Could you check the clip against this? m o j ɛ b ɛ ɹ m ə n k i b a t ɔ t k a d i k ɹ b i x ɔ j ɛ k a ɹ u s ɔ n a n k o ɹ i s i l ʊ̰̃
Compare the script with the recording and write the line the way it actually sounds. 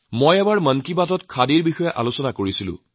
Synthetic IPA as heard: m o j ɛ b a ɹ m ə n k i b a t ɔ t kʰ a d i ɹ b i x ɔ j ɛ ʔ a l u s ɔ n a k o ɹ i s i l ʊ̰̃

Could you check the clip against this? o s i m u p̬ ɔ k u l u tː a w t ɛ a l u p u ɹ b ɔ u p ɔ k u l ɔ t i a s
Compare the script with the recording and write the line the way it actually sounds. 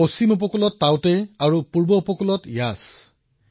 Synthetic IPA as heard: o s i m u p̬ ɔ k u l ɔ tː a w t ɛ a ɹ u p u ɹ b ɔ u p ɔ k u l ɔ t j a s

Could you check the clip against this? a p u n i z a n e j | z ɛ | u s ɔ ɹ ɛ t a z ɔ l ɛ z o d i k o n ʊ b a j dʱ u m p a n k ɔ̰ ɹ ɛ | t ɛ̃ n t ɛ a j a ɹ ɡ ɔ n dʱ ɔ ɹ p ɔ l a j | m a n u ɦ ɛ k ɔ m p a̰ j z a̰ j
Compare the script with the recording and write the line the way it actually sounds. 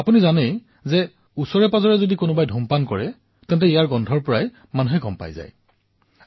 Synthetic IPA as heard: a p u n i z a n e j | z ɛ | u s ɔ ɹ ɛ p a z ɔ ɹ ɛ z o d i k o n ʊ b a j dʱ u m p a n k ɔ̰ ɹ ɛ | t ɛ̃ n t ɛ i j a ɹ ɡ ɔ n dʱ ɔ ɹ p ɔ ɹ a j | m a n u ɦ ɛ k ɔ m p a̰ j z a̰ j

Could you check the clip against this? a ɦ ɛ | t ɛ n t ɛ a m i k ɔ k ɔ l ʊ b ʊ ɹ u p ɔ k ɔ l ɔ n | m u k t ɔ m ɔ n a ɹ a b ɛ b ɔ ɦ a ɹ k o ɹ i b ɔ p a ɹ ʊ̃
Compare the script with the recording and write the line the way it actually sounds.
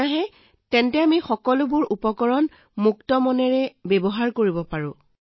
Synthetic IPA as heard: a ɦ ɛ | t ɛ n t ɛ a m i x ɔ k ɔ l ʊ b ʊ ɹ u p ɔ k ɔ ɹ ɔ n | m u k t ɔ m ɔ n ɛ ɹ ɛ b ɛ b ɔ ɦ a ɹ k o ɹ i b ɔ p a ɹ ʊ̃

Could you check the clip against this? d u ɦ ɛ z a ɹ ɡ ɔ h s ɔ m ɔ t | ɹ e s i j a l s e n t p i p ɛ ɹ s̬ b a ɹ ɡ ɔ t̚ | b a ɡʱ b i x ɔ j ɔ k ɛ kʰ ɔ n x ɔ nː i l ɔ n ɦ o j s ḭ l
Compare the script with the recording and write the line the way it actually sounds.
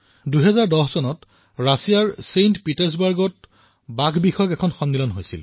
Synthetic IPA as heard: d u ɦ ɛ z a ɹ d ɔ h s ɔ n ɔ t | ɹ a s i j a ɹ s e n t p i t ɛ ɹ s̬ b a ɹ ɡ ɔ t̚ | b a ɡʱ b i x ɔ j ɔ k ɛ kʰ ɔ n x ɔ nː i l ɔ n ɦ o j s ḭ l

